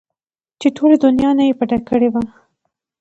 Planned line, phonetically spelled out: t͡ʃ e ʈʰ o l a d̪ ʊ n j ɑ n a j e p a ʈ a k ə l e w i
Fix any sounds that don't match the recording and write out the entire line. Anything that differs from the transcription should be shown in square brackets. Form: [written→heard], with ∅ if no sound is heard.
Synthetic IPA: t͡ʃ e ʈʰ o l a d̪ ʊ n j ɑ n a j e p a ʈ a k ə [l→ɽ] e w [i→a]